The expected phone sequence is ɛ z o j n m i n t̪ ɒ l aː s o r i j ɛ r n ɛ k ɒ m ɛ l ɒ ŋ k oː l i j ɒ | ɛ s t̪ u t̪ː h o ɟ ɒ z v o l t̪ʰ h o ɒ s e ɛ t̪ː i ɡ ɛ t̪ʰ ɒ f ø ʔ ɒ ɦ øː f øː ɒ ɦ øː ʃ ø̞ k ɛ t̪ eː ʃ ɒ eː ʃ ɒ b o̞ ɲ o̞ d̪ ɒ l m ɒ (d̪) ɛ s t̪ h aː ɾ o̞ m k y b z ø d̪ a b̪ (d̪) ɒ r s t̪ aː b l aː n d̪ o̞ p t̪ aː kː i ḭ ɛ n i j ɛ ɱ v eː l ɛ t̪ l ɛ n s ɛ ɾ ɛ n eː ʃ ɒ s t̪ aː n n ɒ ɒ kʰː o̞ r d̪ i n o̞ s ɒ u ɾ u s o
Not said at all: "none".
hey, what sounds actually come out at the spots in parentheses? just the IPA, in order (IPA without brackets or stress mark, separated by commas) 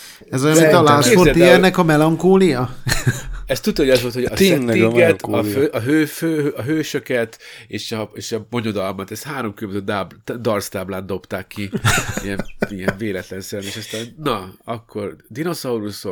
t̪, d̪